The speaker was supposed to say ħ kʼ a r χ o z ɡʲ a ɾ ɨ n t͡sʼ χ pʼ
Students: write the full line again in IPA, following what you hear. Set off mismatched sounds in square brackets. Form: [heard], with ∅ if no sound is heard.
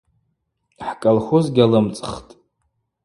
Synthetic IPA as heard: ħ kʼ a [l] χ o z ɡʲ a [l] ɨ [m] t͡sʼ χ [tʼ]